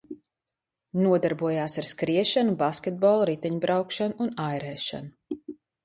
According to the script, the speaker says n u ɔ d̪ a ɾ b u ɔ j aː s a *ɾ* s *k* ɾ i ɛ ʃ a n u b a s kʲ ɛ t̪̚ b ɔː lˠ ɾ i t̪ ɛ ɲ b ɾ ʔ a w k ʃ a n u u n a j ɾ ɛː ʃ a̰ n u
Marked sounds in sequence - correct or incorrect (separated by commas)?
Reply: correct, correct